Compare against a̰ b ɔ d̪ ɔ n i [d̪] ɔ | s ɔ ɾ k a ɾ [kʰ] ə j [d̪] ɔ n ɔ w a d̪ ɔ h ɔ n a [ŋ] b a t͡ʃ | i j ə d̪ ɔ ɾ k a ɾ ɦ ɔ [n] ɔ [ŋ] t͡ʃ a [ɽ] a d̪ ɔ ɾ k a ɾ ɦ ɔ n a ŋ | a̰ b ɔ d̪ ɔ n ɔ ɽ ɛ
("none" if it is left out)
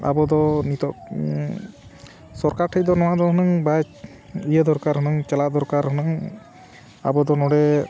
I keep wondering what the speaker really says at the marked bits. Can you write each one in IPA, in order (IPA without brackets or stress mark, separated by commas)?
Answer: t̪, ʈʰ, d̪, ŋ, n, ŋ, l